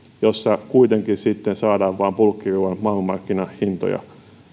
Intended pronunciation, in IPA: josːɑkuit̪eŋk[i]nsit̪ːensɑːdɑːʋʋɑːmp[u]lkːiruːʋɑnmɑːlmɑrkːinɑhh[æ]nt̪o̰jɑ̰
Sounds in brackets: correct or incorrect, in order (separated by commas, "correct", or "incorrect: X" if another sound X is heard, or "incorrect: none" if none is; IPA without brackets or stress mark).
correct, correct, incorrect: i